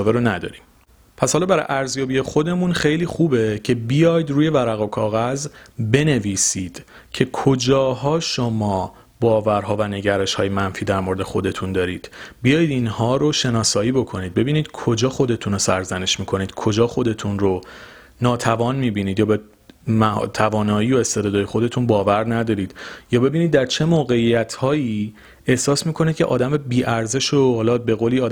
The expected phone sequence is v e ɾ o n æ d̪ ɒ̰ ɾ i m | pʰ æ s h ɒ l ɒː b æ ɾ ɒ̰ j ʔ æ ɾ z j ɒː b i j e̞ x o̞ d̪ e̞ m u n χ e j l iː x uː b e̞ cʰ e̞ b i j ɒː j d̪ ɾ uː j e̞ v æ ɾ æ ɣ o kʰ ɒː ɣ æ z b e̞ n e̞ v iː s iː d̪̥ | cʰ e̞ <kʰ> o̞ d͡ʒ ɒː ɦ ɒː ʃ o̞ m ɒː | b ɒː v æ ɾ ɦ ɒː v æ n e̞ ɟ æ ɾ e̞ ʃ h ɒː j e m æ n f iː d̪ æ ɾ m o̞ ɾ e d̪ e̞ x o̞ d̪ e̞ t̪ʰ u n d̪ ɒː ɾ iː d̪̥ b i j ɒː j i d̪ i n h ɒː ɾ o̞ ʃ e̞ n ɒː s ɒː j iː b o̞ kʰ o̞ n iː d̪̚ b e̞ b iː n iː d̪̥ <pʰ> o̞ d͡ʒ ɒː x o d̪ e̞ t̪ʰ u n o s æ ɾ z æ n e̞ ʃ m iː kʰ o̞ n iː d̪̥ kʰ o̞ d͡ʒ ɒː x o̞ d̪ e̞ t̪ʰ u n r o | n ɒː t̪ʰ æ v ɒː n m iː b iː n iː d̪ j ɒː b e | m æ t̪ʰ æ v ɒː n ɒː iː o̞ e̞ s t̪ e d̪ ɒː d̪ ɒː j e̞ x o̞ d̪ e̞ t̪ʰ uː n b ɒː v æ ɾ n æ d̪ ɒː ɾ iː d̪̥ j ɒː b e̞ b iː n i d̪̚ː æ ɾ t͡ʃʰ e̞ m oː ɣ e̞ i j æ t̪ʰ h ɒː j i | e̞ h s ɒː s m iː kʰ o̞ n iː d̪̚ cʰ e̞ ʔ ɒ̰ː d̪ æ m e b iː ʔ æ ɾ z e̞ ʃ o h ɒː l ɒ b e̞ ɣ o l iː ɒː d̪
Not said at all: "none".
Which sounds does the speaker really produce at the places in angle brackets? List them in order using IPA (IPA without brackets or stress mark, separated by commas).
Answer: kʰ, kʰ